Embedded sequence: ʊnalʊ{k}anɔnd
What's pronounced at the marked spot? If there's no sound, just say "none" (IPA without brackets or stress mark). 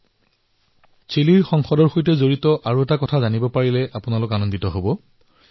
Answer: k